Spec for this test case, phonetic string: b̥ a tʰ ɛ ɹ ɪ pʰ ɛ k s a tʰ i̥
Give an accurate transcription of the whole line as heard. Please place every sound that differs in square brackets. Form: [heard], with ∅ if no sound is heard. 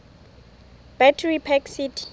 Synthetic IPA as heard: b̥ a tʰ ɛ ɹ [i] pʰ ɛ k s [i] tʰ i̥

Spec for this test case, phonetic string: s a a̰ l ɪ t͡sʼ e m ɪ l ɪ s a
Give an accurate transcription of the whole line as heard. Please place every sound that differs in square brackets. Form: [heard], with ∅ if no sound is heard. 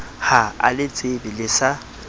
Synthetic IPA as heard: [h] a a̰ l ɪ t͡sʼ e [b] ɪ l ɪ s a

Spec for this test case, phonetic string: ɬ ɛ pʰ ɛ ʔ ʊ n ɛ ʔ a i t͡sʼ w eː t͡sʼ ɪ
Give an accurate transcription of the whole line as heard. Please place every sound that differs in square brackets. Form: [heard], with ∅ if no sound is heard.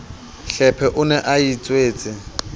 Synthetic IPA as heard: ɬ ɛ pʰ ɛ ʔ ʊ n ɛ ʔ a i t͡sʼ w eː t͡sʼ ɪ

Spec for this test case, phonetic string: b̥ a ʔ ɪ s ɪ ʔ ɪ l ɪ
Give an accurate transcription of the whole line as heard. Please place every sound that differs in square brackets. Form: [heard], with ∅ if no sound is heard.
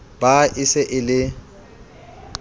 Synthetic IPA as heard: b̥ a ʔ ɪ s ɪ ʔ ɪ l ɪ

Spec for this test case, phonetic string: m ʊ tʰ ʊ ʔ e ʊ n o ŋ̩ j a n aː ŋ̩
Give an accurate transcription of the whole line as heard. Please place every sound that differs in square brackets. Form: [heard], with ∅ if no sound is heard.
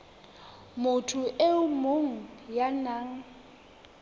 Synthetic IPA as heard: m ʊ tʰ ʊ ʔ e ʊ [m] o ŋ̩ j a n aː ŋ̩

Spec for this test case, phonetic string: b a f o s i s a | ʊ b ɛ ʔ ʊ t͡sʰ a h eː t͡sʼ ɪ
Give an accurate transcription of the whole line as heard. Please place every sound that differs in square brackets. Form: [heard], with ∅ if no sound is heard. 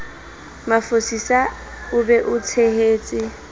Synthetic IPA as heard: [m] a f o s i s a | ʊ b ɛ ʔ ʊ t͡sʰ [e] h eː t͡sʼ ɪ

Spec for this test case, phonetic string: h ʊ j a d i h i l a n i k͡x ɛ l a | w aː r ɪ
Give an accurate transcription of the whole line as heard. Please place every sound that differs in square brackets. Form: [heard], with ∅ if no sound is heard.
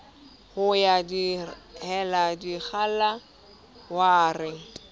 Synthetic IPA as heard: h ʊ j a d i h [ɛ] l a [d] i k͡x [a] l a | w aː r ɪ

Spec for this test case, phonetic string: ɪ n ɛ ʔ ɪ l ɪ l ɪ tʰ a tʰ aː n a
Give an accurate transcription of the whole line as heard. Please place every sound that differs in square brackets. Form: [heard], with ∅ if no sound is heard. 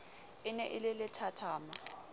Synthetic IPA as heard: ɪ n ɛ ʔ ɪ l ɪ l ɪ tʰ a tʰ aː [m] a

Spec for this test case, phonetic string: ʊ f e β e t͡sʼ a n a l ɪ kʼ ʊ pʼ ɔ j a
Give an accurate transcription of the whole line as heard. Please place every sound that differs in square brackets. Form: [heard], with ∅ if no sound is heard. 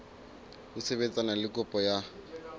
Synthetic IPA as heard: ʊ [s] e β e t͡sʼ a n a l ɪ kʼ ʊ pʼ ɔ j a

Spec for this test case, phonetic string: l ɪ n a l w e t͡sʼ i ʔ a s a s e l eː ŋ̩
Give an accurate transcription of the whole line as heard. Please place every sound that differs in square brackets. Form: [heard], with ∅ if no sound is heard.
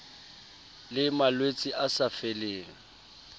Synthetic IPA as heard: l ɪ [m] a l w e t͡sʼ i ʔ a s a [f] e l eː ŋ̩

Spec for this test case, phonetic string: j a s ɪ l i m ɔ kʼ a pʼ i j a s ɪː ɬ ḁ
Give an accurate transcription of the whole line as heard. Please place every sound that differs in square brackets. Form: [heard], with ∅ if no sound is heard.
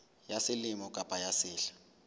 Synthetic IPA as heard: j a s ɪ l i m ɔ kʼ a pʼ [a] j a s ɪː ɬ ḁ

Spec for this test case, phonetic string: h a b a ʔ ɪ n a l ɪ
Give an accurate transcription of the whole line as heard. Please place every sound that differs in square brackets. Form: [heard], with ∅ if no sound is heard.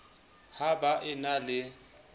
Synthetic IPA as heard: h a b a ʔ ɪ n a l ɪ

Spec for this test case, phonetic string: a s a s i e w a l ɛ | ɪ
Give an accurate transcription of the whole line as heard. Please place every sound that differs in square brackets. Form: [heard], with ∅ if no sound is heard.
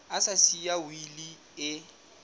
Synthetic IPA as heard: a s a s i [a] w [i] l [i] | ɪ

